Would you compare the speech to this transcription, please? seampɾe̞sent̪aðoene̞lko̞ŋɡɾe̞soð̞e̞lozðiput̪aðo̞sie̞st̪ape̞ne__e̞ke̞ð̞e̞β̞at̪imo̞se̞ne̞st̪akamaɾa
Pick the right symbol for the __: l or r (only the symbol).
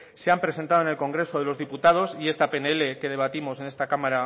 l